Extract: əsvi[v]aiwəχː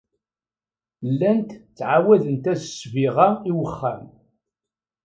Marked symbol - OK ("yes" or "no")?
no